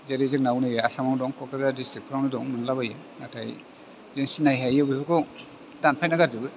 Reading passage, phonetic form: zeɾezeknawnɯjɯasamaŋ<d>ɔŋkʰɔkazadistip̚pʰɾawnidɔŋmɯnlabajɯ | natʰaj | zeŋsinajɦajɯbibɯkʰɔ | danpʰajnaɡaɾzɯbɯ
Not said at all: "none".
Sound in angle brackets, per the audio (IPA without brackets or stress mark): d